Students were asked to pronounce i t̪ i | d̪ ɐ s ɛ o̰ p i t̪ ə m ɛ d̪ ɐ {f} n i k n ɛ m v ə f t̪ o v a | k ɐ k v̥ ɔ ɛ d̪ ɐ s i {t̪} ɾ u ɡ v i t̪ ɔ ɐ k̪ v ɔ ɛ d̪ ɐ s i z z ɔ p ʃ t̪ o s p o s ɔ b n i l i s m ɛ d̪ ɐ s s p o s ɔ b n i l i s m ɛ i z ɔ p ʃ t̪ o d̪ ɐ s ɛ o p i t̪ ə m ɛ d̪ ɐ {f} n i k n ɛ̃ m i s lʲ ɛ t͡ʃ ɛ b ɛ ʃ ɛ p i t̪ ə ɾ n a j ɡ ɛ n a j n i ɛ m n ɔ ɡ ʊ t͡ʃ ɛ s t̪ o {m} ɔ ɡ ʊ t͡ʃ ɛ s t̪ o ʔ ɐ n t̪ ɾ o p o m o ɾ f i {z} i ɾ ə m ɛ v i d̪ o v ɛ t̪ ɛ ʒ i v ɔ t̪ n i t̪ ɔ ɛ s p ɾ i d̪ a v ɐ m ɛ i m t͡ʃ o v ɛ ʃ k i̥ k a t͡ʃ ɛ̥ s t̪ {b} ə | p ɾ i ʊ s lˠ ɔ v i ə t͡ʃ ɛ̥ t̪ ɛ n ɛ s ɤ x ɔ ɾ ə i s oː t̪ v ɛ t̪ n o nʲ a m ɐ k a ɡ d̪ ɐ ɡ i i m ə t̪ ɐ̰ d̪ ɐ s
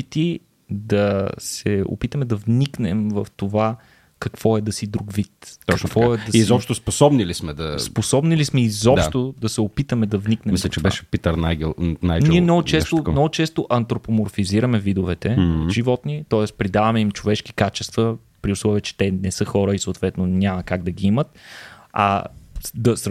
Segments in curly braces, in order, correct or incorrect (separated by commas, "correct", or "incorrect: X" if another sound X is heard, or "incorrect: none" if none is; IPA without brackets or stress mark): incorrect: v, incorrect: d̪, incorrect: v, incorrect: n, correct, incorrect: v